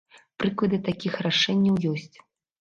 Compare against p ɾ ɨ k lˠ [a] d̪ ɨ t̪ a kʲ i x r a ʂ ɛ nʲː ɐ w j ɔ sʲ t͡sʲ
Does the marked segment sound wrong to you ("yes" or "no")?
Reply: yes